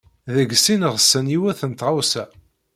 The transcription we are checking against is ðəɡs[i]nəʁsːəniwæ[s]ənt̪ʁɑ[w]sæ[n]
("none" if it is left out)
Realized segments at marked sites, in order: i, θ, w, none

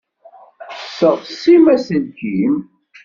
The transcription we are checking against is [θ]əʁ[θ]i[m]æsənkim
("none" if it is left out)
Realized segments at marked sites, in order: s, s, m

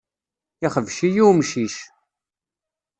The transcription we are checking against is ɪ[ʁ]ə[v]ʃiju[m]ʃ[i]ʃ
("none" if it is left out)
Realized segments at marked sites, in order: χ, v, m, i

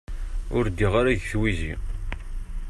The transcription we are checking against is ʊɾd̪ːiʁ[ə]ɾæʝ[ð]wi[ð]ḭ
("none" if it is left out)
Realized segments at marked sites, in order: a, θ, z

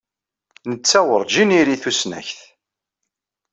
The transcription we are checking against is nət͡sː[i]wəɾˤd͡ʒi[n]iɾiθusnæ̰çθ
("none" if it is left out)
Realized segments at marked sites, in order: æ, n

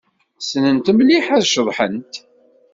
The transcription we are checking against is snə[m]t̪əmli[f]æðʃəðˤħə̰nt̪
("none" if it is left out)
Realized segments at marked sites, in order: n, ħ

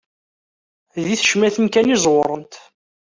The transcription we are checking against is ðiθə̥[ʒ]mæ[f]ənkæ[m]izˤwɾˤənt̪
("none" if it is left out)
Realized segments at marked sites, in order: ʃ, θ, n

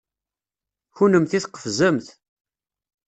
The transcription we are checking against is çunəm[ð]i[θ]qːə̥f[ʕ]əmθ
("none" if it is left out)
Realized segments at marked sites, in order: θ, θ, z

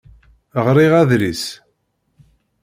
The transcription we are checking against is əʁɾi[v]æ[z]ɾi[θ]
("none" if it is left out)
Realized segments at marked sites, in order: ʁ, ð, s

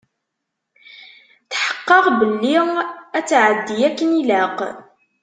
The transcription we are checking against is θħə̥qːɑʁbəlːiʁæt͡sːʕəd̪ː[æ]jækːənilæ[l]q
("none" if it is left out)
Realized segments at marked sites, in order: i, none

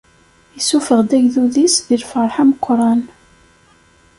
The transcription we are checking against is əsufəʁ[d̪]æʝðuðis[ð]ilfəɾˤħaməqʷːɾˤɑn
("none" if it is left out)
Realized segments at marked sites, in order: d̪, ð

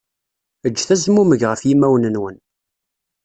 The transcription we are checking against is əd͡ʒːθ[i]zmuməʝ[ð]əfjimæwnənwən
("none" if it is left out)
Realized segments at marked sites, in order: æ, ʁ

